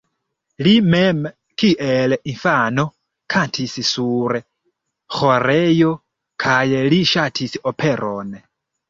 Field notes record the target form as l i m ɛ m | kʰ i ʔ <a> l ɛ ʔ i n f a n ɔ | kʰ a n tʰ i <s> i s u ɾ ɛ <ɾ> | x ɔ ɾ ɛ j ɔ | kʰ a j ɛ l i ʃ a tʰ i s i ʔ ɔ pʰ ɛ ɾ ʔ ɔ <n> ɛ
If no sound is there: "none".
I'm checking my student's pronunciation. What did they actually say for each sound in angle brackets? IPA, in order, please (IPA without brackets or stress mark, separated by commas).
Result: ɛ, s, none, n